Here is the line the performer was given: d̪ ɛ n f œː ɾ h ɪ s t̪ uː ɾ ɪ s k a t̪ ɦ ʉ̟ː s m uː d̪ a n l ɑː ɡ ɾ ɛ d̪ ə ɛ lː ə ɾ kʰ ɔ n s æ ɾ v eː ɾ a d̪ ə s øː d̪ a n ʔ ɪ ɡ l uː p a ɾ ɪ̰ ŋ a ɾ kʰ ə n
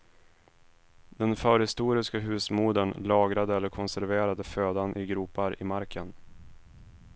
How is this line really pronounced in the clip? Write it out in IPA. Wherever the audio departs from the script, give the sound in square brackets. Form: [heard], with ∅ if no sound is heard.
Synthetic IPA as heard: d̪ ɛ n f œː ɾ h ɪ s t̪ uː ɾ ɪ s k a [∅] ɦ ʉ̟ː s m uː d̪ [ə] n l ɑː ɡ ɾ [a] d̪ ə ɛ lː ə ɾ kʰ ɔ n s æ ɾ v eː ɾ a d̪ ə [f] øː d̪ a n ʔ ɪ ɡ [ɾ] uː p a ɾ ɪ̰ [m] a ɾ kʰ ə n

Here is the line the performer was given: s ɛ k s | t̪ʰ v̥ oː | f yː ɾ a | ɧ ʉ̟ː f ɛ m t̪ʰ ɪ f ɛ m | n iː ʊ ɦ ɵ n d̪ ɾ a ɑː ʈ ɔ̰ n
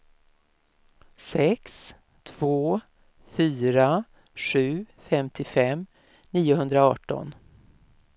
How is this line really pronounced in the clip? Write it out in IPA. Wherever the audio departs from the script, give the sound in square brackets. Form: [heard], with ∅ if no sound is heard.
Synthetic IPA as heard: s ɛ k s | t̪ʰ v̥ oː | f yː ɾ a | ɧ ʉ̟ː f ɛ m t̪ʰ ɪ f ɛ m | n iː ʊ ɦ ɵ n d̪ ɾ a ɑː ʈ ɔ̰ n

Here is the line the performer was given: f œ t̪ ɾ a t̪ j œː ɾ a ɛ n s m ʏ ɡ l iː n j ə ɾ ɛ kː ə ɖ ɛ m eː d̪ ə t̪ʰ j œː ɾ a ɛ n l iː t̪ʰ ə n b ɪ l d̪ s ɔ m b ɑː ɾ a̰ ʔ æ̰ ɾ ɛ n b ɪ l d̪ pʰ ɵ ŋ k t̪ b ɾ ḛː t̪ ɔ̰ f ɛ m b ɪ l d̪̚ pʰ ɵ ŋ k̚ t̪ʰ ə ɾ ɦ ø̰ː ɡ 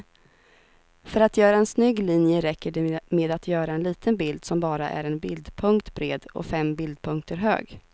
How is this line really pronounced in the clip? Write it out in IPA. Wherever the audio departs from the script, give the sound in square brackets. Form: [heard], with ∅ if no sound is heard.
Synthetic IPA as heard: f œ [∅] ɾ a t̪ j œː ɾ a ɛ n s [n] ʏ ɡ l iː n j ə ɾ ɛ kː ə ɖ ɛ m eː d̪ [a] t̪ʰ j œː ɾ a ɛ n l iː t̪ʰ ə n b ɪ l d̪ s ɔ m b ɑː ɾ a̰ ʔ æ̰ ɾ ɛ n b ɪ l d̪ pʰ ɵ ŋ k t̪ b ɾ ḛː [d̪] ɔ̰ f ɛ m b ɪ l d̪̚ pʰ ɵ ŋ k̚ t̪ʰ ə ɾ ɦ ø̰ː ɡ

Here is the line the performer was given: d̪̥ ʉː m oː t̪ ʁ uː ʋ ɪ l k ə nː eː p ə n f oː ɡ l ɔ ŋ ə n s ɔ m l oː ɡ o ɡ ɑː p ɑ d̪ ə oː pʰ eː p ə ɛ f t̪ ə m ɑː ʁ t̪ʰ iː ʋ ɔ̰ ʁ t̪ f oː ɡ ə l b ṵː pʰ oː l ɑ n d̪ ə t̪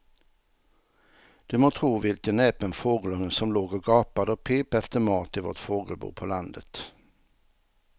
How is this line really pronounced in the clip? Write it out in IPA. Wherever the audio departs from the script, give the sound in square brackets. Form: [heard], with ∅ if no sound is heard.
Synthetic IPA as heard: d̪̥ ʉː m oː [t̪ʰ] ʁ uː ʋ ɪ l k ə [n] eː p ə n f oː ɡ l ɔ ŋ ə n s ɔ m l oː ɡ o ɡ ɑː p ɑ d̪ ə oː pʰ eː p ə ɛ f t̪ ə m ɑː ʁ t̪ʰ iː ʋ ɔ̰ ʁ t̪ f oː ɡ ə l b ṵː pʰ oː l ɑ n d̪ ə t̪

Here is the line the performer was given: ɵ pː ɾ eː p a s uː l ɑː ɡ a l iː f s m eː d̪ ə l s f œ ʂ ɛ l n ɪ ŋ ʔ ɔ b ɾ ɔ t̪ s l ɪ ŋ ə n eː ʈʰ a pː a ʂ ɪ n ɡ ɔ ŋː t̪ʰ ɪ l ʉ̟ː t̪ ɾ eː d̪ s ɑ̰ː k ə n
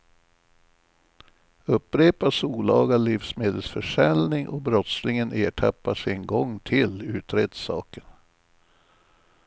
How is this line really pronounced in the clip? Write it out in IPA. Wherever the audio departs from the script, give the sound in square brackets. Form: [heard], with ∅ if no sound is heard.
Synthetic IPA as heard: ɵ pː ɾ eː p a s uː l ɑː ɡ a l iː f s m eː d̪ ə l s f œ ʂ ɛ l n ɪ ŋ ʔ ɔ b ɾ ɔ t̪ s l ɪ ŋ ə n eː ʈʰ a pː a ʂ ɪ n ɡ ɔ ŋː t̪ʰ ɪ l ʉ̟ː t̪ ɾ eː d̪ s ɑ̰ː k ə n

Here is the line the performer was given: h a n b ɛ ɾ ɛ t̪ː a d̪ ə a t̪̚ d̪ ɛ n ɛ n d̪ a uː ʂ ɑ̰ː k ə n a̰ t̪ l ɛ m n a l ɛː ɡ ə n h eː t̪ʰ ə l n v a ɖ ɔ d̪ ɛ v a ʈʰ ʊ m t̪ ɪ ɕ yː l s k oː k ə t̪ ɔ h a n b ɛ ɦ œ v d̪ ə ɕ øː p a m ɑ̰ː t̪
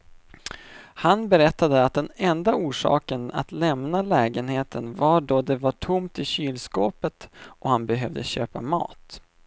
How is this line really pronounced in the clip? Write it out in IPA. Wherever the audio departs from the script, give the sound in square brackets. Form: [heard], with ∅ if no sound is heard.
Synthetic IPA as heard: h a n b ɛ ɾ ɛ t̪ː a d̪ ə a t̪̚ d̪ ɛ n ɛ n d̪ a uː ʂ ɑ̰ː k ə n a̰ t̪ l ɛ m n a l ɛː ɡ ə n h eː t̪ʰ ə [∅] n v a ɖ ɔ d̪ ɛ v a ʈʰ ʊ m t̪ ɪ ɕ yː l s k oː [p] ə t̪ ɔ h a n b ɛ ɦ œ v d̪ ə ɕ øː p a m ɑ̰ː t̪

